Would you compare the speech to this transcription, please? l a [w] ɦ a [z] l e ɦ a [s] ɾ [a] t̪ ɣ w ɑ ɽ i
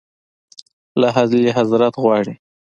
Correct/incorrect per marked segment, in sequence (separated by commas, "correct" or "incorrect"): incorrect, correct, incorrect, correct